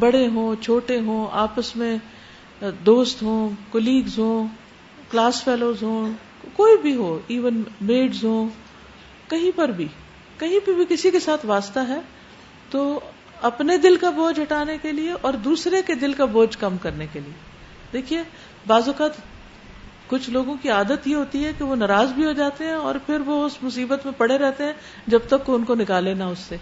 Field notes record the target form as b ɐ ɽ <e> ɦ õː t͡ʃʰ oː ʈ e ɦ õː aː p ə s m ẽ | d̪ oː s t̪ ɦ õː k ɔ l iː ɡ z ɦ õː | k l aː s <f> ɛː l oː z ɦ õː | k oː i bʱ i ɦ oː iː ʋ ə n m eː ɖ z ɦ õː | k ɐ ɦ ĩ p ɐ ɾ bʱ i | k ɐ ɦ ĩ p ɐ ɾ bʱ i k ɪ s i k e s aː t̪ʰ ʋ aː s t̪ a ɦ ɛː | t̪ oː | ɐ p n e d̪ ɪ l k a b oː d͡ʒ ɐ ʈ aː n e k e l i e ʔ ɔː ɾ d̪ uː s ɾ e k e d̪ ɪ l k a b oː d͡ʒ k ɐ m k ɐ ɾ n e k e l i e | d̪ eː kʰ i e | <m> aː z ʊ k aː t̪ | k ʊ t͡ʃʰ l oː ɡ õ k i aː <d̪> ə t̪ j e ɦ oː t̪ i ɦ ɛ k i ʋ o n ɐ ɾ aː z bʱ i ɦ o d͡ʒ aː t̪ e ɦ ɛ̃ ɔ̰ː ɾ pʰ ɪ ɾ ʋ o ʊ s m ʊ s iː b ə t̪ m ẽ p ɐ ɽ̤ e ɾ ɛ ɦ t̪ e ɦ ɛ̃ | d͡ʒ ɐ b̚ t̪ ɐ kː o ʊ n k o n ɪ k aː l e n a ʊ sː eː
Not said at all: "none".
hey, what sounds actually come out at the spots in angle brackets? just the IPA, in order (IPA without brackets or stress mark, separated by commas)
e, f, b, d̪